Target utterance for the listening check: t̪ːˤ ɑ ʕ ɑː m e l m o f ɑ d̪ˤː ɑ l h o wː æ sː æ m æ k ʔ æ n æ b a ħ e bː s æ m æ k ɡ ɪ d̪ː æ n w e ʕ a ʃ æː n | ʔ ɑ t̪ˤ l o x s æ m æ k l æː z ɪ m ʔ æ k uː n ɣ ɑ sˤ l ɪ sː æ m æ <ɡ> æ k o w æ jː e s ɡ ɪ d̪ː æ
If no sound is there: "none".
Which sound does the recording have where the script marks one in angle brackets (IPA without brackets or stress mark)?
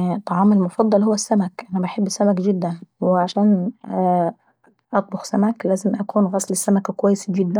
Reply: k